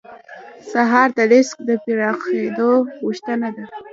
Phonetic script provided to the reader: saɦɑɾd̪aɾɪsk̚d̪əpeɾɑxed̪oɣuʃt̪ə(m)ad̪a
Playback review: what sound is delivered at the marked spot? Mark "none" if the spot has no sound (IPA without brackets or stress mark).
n